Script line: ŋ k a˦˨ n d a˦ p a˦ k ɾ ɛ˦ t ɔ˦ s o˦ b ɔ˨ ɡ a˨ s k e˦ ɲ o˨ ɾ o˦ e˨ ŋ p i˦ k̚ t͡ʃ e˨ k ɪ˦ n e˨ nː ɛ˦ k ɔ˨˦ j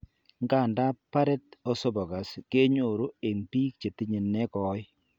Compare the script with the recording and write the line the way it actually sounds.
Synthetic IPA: ŋ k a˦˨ n d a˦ p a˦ ɾ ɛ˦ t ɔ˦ s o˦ b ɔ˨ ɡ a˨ s k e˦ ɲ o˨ ɾ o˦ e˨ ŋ p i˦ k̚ t͡ʃ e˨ t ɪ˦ ɲ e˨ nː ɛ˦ k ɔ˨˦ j